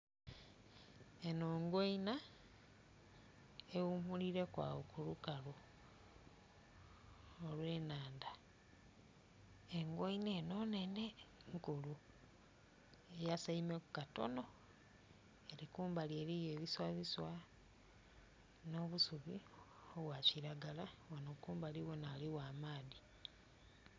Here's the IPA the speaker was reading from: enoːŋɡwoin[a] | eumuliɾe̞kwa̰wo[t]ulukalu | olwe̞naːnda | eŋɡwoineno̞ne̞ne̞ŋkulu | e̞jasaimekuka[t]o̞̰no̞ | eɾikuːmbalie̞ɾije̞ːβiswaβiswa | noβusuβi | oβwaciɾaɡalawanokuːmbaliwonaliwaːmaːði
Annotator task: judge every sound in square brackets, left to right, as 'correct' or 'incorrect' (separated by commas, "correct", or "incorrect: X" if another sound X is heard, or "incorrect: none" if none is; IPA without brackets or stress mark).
correct, incorrect: k, correct